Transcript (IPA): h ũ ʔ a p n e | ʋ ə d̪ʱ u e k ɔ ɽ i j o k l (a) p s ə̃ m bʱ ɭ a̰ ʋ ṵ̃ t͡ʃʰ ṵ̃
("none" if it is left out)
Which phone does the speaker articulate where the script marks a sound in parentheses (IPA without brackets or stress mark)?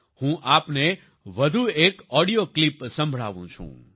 i